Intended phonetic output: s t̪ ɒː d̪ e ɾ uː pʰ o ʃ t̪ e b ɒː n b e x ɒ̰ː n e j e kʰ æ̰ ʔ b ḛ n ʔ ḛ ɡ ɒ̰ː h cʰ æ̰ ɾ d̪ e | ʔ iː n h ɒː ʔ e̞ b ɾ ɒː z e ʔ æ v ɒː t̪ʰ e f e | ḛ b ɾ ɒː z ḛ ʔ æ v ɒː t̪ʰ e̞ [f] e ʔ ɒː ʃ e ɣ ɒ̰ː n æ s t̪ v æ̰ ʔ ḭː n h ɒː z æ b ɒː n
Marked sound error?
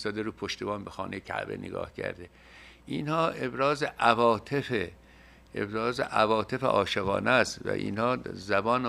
no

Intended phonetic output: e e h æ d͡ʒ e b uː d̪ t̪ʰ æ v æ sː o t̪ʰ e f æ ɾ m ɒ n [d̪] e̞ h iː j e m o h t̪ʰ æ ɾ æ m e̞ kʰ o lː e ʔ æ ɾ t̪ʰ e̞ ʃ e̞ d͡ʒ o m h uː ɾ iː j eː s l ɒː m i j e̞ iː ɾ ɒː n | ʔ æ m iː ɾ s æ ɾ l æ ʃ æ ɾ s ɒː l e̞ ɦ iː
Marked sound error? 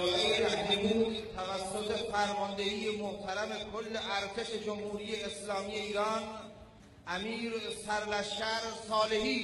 no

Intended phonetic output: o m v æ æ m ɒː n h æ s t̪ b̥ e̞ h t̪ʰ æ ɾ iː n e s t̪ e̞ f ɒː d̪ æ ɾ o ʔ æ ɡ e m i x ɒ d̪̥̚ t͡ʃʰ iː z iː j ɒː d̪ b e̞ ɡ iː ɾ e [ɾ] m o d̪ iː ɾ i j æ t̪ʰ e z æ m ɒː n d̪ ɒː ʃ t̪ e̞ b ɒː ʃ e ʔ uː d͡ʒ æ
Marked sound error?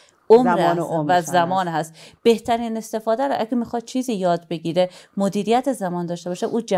yes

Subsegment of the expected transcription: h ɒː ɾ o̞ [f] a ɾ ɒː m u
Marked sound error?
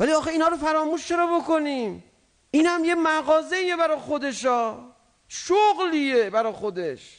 no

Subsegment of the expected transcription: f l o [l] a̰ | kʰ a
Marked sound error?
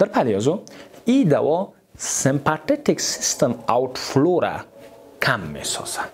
yes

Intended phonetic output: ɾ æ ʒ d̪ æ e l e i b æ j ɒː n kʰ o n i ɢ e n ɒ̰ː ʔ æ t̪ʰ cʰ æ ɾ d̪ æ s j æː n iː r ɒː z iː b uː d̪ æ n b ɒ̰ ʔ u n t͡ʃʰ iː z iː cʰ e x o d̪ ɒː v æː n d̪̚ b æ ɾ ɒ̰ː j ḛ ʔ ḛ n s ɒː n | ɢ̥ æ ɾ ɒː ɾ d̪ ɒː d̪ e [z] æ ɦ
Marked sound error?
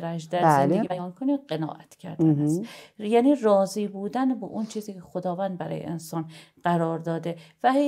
yes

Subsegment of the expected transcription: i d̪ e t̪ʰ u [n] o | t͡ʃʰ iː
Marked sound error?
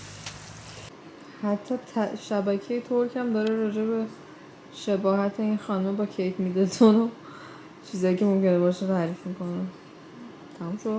no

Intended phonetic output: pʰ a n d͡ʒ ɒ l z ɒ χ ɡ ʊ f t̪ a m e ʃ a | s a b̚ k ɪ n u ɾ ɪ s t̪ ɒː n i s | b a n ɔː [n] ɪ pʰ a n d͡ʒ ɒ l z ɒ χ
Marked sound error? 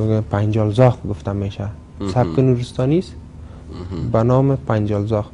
yes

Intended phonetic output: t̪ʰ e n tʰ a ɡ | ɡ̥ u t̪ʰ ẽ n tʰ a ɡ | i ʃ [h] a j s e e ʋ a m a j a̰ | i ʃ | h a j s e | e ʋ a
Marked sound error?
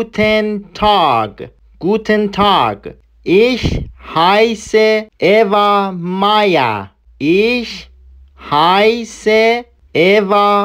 no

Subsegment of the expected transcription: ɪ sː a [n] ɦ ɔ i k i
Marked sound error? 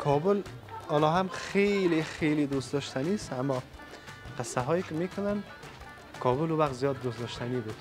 yes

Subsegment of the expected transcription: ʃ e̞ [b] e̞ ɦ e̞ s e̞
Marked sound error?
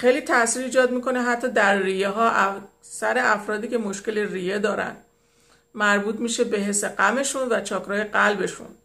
no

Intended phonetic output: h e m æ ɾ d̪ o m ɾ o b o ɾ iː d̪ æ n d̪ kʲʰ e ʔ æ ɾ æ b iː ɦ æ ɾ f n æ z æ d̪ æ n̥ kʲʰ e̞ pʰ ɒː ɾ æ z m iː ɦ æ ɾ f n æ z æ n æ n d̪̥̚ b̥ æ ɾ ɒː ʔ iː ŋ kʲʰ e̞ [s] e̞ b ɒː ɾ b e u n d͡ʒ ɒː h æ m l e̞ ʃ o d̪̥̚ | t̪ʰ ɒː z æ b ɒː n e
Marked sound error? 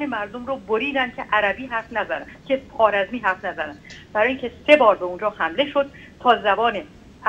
no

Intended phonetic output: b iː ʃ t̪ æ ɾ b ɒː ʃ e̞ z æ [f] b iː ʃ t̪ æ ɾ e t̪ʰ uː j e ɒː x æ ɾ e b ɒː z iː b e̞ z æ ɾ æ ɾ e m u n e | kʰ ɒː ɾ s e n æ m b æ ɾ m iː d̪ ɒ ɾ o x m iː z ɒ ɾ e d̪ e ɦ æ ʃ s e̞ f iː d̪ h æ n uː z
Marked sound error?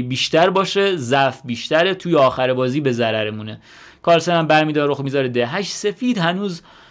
no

